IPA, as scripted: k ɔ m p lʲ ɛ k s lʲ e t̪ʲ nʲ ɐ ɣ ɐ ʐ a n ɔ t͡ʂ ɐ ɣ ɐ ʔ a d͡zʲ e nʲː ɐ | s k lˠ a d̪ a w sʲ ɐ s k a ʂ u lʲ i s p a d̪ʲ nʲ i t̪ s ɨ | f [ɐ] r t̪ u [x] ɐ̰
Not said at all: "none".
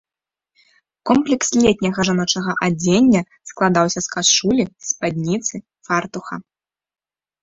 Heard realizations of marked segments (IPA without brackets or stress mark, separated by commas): a, x